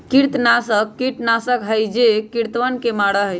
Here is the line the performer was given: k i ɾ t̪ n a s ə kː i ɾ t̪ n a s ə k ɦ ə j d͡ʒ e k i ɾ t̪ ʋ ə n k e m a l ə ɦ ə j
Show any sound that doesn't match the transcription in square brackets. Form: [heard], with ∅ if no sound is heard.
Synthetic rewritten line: k i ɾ t̪ n a s ə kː i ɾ t̪ n a s ə k ɦ ə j d͡ʒ e k i ɾ t̪ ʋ ə n k e m a [ɽ] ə ɦ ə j